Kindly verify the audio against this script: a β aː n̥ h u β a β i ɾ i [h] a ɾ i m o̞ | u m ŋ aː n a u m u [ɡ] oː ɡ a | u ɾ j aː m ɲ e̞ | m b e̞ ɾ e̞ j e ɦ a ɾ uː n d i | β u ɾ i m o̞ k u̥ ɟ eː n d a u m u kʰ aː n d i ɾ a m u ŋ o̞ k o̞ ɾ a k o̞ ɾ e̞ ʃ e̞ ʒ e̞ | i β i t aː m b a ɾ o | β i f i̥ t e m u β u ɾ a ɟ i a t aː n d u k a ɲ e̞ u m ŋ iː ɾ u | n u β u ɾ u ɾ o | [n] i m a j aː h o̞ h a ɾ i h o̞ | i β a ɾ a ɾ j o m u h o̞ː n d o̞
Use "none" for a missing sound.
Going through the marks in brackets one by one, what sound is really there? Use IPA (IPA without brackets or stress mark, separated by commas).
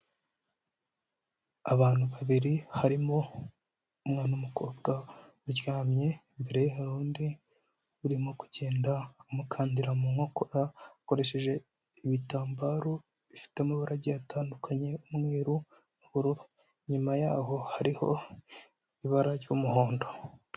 h, k, ɲ